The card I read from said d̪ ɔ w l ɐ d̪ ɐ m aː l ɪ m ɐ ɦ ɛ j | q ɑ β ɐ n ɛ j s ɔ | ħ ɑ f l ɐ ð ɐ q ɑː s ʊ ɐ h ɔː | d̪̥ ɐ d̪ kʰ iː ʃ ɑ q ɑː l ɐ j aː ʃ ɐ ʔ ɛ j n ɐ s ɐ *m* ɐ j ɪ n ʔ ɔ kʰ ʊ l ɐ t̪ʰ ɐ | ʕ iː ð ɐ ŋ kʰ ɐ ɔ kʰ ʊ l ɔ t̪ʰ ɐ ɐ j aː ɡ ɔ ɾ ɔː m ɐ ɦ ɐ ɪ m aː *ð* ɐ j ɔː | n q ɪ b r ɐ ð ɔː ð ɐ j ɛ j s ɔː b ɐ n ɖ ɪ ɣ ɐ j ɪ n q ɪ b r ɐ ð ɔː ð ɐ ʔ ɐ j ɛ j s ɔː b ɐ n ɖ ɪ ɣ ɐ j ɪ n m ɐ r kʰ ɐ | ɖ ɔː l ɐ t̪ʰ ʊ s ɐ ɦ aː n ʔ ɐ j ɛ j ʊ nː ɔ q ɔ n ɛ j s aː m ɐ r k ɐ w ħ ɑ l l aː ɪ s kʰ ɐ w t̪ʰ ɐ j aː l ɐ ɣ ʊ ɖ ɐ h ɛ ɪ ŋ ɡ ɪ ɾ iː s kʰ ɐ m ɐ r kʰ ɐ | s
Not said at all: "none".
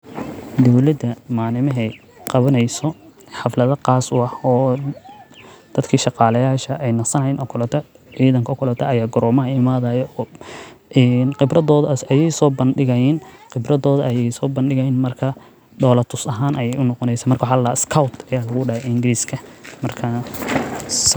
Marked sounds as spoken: n, ð

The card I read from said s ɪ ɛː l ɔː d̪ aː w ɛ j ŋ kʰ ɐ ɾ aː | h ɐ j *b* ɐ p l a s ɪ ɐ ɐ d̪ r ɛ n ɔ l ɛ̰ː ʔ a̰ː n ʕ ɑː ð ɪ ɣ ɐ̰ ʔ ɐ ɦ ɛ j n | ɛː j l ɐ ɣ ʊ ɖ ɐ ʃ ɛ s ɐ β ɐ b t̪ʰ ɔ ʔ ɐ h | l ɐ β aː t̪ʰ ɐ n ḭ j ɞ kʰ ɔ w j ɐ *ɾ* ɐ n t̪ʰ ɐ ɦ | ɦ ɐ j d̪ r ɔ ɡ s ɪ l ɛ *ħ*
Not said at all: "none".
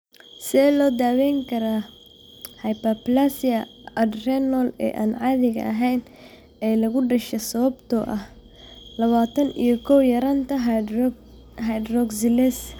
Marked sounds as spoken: p, ɾ, s

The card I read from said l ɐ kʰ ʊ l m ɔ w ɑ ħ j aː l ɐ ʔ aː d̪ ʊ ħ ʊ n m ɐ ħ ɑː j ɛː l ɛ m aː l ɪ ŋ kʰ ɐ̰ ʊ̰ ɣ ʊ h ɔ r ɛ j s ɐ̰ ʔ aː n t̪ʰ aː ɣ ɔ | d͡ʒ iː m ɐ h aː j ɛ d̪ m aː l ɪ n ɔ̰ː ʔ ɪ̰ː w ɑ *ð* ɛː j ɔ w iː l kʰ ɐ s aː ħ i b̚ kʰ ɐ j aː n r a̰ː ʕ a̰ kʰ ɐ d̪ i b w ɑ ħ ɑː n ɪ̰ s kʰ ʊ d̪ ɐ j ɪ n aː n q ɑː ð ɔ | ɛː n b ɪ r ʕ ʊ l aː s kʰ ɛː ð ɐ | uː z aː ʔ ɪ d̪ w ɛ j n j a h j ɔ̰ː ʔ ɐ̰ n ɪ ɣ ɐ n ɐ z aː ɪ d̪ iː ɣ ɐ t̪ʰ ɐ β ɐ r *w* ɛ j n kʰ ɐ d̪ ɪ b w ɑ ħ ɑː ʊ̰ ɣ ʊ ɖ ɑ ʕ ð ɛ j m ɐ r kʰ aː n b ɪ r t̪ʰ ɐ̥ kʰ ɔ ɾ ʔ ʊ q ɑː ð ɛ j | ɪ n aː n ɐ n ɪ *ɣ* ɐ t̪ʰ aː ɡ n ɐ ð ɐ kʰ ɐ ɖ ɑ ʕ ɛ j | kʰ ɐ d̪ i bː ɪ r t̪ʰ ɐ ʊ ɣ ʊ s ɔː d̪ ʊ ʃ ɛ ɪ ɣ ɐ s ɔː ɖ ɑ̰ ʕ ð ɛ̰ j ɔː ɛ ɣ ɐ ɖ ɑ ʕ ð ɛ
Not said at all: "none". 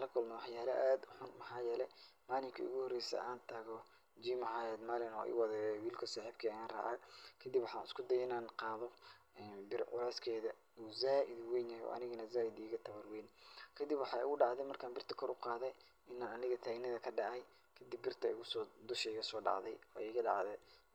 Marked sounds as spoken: ð, w, ɣ

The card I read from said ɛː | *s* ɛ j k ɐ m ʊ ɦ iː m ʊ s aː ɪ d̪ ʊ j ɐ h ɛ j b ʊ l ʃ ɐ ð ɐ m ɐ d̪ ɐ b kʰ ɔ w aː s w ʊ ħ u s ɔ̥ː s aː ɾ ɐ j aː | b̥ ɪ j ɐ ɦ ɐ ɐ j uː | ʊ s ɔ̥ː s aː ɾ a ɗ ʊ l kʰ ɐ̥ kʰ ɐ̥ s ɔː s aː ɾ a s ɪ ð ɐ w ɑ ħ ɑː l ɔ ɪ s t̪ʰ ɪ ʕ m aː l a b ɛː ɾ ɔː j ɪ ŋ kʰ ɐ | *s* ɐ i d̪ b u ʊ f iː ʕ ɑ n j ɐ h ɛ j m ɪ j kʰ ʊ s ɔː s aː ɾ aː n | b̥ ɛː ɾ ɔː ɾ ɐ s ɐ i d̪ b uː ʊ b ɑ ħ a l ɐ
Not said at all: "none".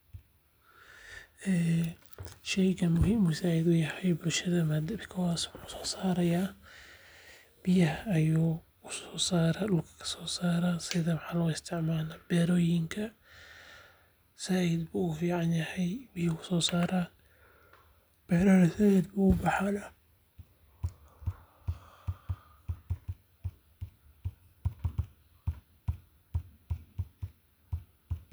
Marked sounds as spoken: ʃ, s

